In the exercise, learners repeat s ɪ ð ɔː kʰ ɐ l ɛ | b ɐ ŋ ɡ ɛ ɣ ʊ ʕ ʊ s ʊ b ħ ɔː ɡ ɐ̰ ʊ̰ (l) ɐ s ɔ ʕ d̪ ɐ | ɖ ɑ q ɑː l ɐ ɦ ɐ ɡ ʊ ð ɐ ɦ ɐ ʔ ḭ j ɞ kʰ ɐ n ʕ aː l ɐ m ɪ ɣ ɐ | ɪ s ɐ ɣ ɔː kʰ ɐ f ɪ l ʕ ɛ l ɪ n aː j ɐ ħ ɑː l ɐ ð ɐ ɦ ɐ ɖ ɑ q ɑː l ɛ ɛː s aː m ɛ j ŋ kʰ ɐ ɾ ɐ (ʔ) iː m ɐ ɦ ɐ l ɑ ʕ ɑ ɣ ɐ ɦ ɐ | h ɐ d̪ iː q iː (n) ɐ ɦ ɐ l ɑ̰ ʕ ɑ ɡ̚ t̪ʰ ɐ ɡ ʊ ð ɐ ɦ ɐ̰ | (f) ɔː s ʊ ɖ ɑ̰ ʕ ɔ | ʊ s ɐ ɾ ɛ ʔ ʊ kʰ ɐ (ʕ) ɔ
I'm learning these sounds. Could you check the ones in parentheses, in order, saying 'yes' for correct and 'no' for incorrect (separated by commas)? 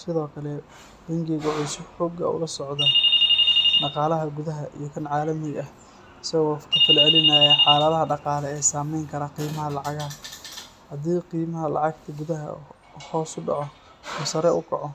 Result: yes, no, no, no, yes